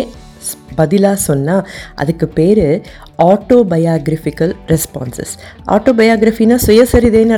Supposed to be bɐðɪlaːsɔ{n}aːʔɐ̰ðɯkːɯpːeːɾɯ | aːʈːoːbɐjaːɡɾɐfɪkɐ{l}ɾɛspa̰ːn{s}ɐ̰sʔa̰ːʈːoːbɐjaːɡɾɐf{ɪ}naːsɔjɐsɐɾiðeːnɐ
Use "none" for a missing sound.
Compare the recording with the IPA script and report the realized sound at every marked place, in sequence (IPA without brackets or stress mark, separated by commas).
nː, l, s, i